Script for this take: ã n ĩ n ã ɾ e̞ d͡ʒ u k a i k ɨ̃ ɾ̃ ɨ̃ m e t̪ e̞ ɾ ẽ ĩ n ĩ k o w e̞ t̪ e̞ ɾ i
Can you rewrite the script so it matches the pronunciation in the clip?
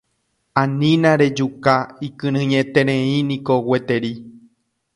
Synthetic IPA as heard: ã n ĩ n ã ɾ e̞ d͡ʒ u k a i k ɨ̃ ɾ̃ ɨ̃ ɲ e t̪ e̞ ɾ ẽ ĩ n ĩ k o w e̞ t̪ e̞ ɾ i